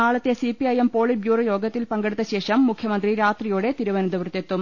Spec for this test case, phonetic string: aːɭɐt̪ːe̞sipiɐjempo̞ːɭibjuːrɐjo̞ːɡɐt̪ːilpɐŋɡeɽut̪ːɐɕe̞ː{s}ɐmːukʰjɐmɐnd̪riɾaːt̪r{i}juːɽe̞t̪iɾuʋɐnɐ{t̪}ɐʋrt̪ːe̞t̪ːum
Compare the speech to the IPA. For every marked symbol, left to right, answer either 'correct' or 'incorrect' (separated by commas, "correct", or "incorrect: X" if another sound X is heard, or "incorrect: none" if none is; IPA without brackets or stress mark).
incorrect: ʂ, correct, incorrect: d̪